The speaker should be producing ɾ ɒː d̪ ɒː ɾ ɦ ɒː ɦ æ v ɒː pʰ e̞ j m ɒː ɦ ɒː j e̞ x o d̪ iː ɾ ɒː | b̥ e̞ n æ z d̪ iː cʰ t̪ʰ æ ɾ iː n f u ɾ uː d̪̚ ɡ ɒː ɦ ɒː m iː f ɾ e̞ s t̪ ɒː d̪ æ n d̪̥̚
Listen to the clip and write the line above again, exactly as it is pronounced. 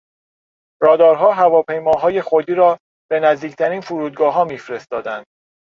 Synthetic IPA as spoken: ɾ ɒː d̪ ɒː ɾ ɦ ɒː ɦ æ v ɒː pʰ e̞ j m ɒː ɦ ɒː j e̞ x o d̪ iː ɾ ɒː | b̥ e̞ n æ z d̪ iː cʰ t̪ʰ æ ɾ iː n f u ɾ uː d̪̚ ɡ ɒː ɦ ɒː m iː f ɾ e̞ s t̪ ɒː d̪ æ n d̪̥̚